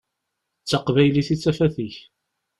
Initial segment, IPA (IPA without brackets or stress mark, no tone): t͡sː